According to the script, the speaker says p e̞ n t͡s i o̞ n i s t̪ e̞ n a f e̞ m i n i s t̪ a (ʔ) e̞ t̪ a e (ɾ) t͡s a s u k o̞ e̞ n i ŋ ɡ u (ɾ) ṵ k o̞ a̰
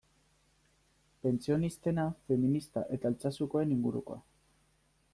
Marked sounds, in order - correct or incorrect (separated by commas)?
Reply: correct, incorrect, correct